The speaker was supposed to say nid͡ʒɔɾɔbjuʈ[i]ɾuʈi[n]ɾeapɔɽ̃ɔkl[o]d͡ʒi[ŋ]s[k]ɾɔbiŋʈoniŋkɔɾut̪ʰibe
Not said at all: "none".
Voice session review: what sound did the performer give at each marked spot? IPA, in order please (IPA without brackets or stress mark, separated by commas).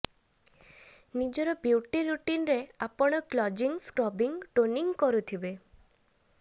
i, n, ɔ, ŋ, k